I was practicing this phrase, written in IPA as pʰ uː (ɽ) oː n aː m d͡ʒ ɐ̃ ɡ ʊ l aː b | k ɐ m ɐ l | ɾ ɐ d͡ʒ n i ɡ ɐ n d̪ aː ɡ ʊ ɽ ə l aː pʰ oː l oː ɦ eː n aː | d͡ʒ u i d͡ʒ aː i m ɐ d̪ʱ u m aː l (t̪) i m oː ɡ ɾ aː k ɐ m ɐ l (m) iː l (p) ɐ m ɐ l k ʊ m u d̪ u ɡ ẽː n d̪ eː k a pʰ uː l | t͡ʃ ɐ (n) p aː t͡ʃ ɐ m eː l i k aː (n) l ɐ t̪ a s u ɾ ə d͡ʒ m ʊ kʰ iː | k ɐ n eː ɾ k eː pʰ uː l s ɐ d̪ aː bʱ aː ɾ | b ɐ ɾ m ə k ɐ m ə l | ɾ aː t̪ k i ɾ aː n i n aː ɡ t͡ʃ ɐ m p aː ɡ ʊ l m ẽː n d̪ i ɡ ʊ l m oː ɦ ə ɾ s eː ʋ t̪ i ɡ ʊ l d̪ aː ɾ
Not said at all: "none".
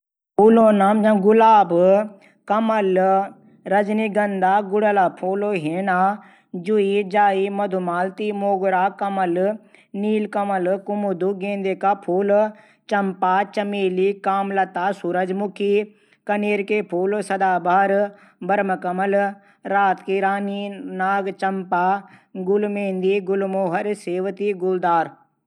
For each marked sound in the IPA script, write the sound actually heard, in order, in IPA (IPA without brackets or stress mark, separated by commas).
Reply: l, t̪, n, k, m, m